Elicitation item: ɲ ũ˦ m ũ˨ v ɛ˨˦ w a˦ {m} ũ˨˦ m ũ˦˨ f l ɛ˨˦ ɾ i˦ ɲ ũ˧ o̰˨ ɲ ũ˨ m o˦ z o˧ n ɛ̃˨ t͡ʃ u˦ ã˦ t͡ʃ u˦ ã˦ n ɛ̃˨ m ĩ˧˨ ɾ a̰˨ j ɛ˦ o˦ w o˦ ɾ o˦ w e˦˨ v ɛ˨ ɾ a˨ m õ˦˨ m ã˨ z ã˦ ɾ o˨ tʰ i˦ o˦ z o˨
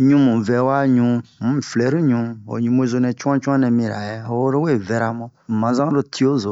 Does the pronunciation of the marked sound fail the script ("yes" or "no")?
yes